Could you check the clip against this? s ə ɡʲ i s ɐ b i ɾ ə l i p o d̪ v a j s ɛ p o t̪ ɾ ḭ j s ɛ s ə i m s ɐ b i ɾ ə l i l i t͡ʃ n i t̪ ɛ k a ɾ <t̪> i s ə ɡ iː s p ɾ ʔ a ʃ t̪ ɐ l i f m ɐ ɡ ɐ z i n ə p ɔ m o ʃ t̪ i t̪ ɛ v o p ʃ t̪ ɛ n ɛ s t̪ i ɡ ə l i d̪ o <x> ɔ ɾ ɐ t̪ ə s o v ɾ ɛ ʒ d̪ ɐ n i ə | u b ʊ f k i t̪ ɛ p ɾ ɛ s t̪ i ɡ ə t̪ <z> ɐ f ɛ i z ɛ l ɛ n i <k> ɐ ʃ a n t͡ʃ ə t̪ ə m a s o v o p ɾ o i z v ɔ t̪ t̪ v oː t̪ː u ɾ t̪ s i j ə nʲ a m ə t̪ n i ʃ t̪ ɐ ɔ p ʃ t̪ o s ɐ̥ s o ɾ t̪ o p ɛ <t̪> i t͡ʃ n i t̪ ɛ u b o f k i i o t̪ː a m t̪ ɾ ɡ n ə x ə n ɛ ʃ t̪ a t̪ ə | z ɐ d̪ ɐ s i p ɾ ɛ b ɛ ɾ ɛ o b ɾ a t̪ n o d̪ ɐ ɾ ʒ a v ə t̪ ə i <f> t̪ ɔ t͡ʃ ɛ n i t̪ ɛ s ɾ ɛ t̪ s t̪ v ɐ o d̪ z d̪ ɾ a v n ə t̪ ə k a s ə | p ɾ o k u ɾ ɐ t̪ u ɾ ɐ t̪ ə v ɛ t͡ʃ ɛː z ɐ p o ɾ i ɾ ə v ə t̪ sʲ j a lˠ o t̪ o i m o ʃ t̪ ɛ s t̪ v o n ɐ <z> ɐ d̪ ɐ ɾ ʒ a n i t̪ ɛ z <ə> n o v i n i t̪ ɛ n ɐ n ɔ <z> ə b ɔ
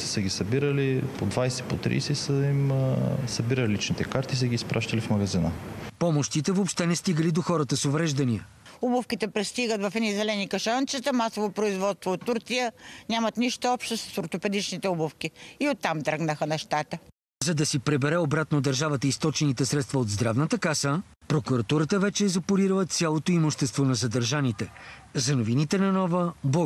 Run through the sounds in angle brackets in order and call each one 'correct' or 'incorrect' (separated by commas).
correct, correct, incorrect, correct, incorrect, incorrect, correct, incorrect, incorrect